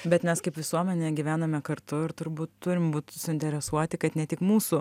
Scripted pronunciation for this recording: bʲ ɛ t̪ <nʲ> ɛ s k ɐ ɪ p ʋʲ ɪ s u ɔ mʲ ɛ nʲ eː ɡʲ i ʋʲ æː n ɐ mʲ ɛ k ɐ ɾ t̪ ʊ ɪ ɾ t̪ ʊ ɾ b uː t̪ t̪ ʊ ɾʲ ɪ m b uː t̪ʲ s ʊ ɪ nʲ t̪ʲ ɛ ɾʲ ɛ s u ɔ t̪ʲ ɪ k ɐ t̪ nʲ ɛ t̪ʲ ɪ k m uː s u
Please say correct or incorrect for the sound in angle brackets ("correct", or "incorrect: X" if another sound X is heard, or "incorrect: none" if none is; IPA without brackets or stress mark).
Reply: incorrect: mʲ